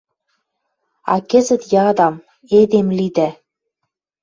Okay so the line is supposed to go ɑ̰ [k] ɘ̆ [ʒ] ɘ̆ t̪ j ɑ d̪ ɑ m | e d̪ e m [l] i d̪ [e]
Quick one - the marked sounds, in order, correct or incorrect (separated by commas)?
correct, incorrect, correct, incorrect